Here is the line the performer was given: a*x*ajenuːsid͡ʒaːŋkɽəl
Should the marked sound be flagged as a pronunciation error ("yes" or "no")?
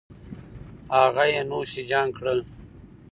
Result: yes